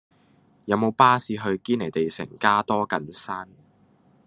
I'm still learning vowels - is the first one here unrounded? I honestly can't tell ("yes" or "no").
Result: yes